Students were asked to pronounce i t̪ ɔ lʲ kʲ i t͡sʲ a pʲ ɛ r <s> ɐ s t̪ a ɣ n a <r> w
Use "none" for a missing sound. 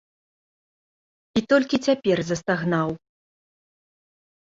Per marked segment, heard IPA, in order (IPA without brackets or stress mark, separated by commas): z, none